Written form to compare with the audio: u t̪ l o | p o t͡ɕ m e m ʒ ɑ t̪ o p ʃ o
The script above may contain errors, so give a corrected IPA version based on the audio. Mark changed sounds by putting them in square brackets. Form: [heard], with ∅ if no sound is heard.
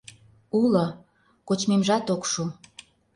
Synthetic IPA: u [∅] l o | [k] o t͡ɕ m e m ʒ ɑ t̪ o [k] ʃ [u]